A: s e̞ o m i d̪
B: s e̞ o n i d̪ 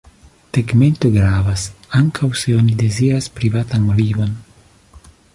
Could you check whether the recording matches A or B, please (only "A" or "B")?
B